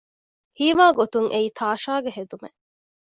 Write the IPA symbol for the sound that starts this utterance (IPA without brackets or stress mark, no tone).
h